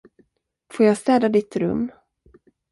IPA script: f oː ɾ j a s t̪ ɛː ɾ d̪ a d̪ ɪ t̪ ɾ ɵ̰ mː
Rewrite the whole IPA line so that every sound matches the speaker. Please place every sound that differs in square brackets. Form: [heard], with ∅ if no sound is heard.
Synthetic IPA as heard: f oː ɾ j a s t̪ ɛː [∅] d̪ a d̪ ɪ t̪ ɾ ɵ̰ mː